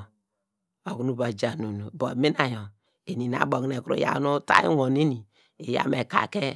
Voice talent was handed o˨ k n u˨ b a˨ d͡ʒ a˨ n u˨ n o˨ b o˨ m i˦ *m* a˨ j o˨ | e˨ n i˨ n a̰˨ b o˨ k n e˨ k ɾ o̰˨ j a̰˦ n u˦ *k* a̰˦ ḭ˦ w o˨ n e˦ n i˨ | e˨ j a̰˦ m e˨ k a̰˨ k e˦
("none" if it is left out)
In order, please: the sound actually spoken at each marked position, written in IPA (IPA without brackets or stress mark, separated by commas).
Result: n, t